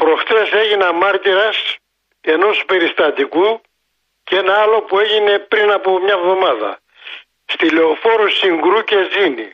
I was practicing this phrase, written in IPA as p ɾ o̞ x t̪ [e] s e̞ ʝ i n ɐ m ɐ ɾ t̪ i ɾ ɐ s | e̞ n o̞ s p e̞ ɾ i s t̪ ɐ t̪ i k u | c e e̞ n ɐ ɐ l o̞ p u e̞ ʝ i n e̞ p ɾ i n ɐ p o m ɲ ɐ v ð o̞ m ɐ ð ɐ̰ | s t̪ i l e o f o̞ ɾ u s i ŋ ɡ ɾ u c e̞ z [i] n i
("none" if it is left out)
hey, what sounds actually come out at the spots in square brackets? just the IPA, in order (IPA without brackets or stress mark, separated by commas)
e, i